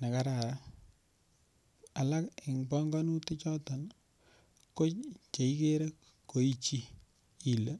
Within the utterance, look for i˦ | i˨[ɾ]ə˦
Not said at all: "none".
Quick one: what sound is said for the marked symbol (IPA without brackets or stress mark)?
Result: l